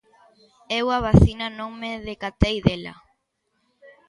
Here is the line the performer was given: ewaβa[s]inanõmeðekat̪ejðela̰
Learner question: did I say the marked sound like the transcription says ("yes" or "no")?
no